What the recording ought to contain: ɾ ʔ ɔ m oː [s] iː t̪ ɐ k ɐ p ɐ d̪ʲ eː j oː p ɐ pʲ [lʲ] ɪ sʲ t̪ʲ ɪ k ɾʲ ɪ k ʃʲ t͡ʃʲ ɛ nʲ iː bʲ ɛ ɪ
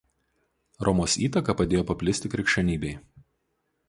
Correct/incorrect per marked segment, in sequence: correct, correct

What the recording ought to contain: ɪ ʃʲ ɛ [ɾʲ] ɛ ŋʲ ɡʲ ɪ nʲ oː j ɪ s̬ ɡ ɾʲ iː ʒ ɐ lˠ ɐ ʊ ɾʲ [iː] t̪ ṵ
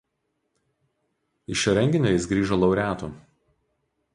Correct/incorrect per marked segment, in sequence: correct, incorrect: æː

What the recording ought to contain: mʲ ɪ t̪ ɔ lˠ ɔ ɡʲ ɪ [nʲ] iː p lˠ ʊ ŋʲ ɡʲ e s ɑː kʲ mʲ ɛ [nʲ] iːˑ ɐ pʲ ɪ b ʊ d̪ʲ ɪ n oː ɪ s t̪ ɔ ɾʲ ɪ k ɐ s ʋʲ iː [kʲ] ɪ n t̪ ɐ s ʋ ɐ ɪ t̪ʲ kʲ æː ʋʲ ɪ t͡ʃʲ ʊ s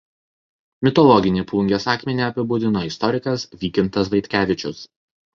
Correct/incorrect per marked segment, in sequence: correct, correct, correct

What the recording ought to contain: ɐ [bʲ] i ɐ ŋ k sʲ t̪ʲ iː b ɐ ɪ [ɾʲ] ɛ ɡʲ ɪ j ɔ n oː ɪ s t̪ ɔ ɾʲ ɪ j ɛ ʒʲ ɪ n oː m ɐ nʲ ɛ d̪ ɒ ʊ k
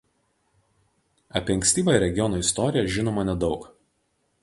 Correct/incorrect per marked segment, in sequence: incorrect: pʲ, correct

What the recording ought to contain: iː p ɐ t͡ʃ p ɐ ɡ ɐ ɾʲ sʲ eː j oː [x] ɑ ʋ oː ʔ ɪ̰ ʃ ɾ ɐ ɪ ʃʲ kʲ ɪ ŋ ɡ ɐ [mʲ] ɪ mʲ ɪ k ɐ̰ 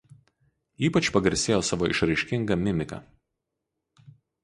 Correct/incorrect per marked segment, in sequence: incorrect: s, correct

